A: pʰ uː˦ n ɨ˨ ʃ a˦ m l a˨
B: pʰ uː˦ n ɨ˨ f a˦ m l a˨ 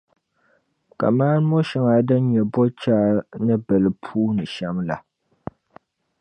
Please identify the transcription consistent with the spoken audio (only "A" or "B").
A